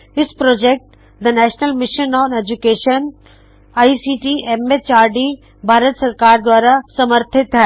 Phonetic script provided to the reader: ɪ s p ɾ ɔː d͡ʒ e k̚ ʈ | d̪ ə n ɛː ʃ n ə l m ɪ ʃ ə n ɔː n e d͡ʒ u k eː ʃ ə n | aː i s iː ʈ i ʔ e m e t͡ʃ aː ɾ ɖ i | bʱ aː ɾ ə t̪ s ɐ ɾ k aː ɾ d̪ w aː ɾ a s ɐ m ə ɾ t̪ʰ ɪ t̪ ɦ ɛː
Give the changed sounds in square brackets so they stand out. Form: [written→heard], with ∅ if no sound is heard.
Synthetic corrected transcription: ɪ s p ɾ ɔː d͡ʒ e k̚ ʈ | d̪ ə n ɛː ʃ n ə l m ɪ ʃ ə n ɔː n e d͡ʒ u k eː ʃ ə n | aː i s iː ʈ i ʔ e m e t͡ʃ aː ɾ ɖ i | bʱ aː ɾ ə t̪ s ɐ ɾ k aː ɾ d̪ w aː ɾ a s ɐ m ə ɾ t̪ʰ ɪ t̪ ɦ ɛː